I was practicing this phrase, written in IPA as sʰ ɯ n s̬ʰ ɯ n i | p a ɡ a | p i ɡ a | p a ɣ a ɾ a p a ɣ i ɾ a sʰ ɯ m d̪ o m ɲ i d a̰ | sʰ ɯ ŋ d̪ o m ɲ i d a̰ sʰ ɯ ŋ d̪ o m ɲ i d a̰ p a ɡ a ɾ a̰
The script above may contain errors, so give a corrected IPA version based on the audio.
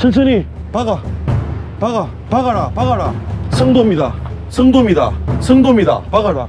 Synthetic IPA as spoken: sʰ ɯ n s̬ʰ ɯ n i | p a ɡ a | p a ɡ a | p a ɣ a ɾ a p a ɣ a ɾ a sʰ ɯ ŋ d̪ o m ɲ i d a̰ | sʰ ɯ ŋ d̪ o m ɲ i d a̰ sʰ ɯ ŋ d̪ o m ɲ i d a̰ p a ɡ a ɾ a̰

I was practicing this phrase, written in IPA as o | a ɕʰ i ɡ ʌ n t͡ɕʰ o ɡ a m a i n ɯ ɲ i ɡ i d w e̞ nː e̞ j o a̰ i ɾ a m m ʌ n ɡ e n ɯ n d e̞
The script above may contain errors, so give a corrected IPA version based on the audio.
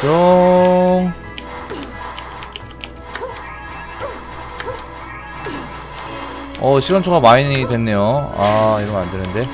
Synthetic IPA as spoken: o | ʌ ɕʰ i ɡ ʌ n t͡ɕʰ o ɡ a m a i n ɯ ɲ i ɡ i d w e̞ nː e̞ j o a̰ i ɾ ʌ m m a n d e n ɯ n d e̞

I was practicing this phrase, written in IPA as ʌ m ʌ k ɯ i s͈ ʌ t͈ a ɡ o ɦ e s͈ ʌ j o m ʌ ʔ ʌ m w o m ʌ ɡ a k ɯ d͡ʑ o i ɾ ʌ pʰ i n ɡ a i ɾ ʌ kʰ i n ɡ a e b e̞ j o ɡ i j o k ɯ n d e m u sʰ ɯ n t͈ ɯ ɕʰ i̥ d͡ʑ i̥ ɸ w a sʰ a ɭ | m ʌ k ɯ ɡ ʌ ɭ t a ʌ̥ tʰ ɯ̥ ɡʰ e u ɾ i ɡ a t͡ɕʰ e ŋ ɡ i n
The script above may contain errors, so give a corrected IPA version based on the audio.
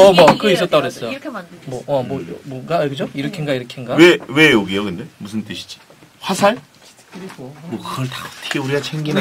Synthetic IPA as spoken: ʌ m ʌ k ɯ i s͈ ʌ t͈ a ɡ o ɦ e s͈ ʌ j o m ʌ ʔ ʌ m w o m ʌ ɡ a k ɯ d͡ʑ o i ɾ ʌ kʰ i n ɡ a i ɾ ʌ kʰ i n ɡ a e w e̞ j o ɡ i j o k ɯ n d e m u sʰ ɯ n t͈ ɯ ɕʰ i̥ d͡ʑ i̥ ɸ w a sʰ a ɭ | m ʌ k ɯ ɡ ʌ ɭ t a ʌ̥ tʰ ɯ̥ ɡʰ e u ɾ i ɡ a t͡ɕʰ e ŋ ɡ i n

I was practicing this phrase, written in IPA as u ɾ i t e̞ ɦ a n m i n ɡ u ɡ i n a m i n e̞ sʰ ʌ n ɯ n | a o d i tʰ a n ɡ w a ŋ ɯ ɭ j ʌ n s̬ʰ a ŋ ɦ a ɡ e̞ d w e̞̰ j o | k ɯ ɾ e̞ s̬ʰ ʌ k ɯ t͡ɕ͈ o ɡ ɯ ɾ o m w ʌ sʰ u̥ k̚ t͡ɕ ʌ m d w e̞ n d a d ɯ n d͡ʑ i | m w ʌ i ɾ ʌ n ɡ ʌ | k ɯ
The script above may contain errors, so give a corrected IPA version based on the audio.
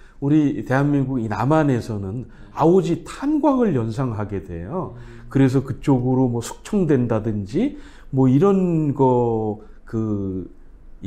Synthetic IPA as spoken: u ɾ i t e̞ ɦ a n m i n ɡ u ɡ i n a m a n e̞ sʰ ʌ n ɯ n | a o d͡ʑ i tʰ a n ɡ w a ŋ ɯ ɭ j ʌ n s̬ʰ a ŋ ɦ a ɡ e̞ d w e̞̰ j o | k ɯ ɾ e̞ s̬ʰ ʌ k ɯ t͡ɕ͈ o ɡ ɯ ɾ o m w ʌ sʰ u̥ k̚ t͡ɕʰ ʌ ŋ d w e̞ n d a d ɯ n d͡ʑ i | m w ʌ i ɾ ʌ n ɡ ʌ | k ɯ

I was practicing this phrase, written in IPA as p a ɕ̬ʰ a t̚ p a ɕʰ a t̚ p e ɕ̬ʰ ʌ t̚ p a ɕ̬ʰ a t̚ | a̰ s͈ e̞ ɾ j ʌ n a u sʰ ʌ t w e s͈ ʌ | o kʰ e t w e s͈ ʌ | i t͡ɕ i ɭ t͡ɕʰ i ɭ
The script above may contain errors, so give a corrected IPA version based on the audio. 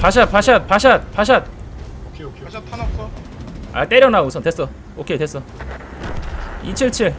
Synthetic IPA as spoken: p a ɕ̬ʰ a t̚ p a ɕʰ a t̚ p a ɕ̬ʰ a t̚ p a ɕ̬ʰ a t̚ | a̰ t͈ e̞ ɾ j ʌ n a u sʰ ʌ t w e s͈ ʌ | o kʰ e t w e s͈ ʌ | i t͡ɕʰ i ɭ t͡ɕʰ i ɭ

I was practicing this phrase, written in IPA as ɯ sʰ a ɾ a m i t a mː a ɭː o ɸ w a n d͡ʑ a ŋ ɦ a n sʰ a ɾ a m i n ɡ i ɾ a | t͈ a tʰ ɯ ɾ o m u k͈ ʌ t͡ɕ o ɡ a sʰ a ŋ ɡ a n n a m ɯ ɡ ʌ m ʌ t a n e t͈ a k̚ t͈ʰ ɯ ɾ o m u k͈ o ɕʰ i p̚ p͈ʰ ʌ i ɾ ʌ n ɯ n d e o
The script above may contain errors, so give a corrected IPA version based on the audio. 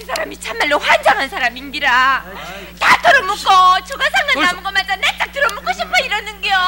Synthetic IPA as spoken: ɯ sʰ a ɾ a m i t͡ɕʰ a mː a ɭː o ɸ w a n d͡ʑ a ŋ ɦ a n sʰ a ɾ a m i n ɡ i ɾ a | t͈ a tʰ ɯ ɾ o m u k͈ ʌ t͡ɕ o ɡ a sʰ a ŋ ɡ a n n a m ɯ ɡ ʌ m a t a n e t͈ a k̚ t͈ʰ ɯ ɾ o m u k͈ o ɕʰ i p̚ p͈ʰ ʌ i ɾ ʌ n ɯ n ɡ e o

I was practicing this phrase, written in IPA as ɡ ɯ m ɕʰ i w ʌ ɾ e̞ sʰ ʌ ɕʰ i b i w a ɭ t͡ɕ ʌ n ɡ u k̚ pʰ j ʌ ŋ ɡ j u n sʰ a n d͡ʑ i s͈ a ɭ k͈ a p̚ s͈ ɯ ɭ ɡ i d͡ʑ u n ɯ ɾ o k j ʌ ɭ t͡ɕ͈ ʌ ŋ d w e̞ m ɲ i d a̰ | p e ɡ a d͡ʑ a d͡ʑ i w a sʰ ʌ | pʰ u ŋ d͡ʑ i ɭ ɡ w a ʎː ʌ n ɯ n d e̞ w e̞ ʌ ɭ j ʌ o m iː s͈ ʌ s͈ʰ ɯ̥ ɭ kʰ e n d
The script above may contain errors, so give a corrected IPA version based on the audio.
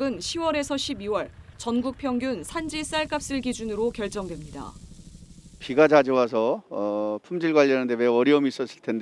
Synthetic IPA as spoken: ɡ ɯ n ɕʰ i w ʌ ɾ e̞ sʰ ʌ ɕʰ i b i w ʌ ɭ t͡ɕ ʌ n ɡ u k̚ pʰ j ʌ ŋ ɡ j u n sʰ a n d͡ʑ i s͈ a ɭ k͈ a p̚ s͈ ɯ ɭ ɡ i d͡ʑ u n ɯ ɾ o k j ʌ ɭ t͡ɕ͈ ʌ ŋ d w e̞ m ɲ i d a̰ | p i ɡ a d͡ʑ a d͡ʑ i w a sʰ ʌ | pʰ u m d͡ʑ i ɭ ɡ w a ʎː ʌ n ɯ n d e̞ w e̞ ʌ ɾ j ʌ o m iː s͈ ʌ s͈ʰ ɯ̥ ɭ tʰ e n d

